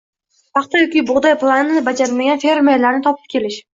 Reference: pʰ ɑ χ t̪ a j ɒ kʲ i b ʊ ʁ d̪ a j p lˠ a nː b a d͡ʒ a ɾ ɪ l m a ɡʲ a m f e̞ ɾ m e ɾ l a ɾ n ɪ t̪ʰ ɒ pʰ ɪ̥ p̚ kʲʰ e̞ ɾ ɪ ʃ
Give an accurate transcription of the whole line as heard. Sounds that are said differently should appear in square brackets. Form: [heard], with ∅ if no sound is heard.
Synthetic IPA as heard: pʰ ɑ χ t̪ a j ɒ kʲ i b ʊ ʁ d̪ a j p lˠ a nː b a d͡ʒ a ɾ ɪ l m a ɡʲ a [n] f e̞ ɾ m e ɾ l a ɾ n ɪ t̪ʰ ɒ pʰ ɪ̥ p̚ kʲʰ e̞ [l] ɪ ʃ